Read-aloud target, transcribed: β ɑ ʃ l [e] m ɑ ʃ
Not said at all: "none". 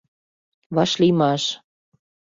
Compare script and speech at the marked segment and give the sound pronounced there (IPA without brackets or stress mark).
i